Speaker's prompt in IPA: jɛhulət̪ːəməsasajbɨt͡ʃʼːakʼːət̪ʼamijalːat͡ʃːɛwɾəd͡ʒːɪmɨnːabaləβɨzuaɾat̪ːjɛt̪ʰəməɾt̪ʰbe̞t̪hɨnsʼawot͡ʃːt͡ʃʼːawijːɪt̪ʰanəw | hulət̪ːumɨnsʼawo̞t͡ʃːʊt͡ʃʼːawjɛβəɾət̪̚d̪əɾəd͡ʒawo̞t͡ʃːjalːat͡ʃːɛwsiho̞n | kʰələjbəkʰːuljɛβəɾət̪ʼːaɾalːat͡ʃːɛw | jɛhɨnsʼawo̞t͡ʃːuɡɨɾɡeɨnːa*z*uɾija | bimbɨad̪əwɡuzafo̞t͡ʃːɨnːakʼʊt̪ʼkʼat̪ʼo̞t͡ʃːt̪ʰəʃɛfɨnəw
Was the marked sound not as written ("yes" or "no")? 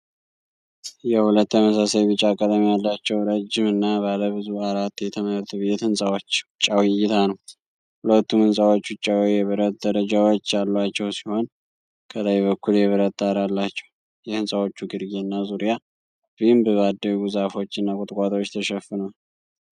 no